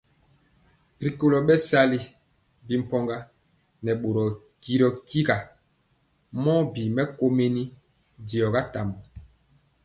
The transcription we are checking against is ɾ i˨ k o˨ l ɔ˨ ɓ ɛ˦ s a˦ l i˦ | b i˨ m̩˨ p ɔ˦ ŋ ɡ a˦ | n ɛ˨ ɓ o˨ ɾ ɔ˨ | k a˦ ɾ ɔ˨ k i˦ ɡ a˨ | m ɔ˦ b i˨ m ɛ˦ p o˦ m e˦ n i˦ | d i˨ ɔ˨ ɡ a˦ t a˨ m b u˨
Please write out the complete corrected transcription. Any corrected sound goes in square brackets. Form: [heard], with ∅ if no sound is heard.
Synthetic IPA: ɾ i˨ k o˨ l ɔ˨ ɓ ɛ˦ s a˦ l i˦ | b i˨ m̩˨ p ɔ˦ ŋ ɡ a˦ | n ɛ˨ ɓ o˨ ɾ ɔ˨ | k [i˦] ɾ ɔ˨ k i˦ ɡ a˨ | m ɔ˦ b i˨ m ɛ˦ [k] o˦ m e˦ n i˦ | d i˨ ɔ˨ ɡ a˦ t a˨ m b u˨